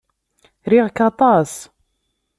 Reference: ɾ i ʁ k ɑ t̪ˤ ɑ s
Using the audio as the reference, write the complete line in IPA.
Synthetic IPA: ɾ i ʁ k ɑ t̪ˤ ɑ s